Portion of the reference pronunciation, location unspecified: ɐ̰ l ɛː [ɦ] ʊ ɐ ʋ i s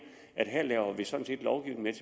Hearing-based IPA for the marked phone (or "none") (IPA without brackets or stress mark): none